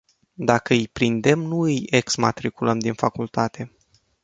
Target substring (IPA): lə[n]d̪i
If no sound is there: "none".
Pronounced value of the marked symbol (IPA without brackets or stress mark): m